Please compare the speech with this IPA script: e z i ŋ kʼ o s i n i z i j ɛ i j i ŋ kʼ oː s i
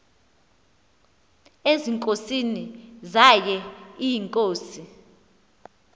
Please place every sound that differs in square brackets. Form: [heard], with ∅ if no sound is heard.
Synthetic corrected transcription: e z i ŋ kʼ o s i n i z [a] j ɛ i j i ŋ kʼ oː s i